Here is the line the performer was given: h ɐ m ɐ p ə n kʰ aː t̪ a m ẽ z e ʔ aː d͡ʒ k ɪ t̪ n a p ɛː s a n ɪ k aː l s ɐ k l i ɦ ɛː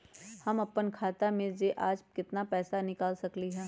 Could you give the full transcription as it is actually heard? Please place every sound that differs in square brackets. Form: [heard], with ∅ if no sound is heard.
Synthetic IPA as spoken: h ɐ m ɐ p ə n kʰ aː t̪ a m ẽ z e ʔ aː d͡ʒ k ɪ t̪ n a p ɛː s a n ɪ k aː l s ɐ k l i ɦ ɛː